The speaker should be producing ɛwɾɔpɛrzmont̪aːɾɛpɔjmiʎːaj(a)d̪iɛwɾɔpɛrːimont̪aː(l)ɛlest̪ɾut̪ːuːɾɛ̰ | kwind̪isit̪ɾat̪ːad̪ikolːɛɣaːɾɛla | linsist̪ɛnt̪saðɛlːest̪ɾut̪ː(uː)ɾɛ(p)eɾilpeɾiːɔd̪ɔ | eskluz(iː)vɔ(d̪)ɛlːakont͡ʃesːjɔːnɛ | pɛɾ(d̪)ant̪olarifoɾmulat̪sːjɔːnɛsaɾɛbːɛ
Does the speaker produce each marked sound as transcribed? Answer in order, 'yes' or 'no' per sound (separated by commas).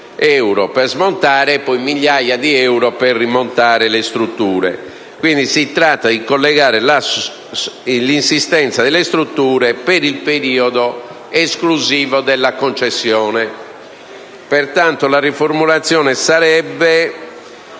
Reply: yes, no, yes, yes, yes, yes, no